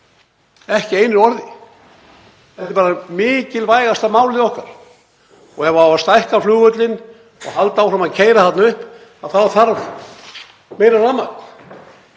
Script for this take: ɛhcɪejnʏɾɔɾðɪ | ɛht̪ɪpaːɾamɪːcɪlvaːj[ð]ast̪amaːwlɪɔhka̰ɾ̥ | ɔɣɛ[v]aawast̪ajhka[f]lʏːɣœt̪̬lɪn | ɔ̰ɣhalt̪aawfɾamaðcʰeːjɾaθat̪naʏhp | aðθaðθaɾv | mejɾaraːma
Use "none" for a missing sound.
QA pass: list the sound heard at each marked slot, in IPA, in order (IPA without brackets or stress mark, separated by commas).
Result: ɣ, v, f